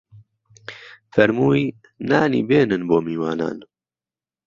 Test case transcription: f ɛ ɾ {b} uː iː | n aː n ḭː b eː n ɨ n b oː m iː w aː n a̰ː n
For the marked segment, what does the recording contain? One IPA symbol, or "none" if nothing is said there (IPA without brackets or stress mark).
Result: m